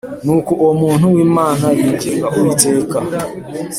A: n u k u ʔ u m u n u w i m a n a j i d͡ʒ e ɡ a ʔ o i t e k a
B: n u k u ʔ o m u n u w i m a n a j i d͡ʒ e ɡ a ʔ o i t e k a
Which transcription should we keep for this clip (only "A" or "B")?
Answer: B